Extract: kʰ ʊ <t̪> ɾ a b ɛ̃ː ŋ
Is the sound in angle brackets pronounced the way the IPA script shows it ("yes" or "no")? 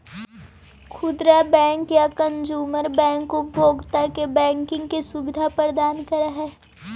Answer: no